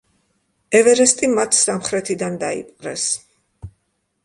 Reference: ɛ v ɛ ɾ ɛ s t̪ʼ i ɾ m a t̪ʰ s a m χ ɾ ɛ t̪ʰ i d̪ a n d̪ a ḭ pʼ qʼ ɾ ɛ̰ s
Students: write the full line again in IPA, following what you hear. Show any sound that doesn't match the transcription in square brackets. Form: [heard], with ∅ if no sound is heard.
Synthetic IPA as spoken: ɛ v ɛ ɾ ɛ s t̪ʼ i [∅] m a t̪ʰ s a m χ ɾ ɛ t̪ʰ i d̪ a n d̪ a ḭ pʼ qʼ ɾ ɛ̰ s